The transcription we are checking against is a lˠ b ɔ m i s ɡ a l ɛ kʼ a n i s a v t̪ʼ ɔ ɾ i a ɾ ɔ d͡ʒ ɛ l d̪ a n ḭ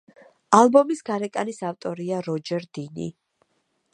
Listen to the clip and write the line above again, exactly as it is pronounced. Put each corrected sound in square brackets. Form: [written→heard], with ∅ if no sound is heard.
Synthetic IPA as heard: a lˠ b ɔ m i s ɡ a [l→ɾ] ɛ kʼ a n i s a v t̪ʼ ɔ ɾ i a ɾ ɔ d͡ʒ ɛ [l→ɾ] d̪ [a→i] n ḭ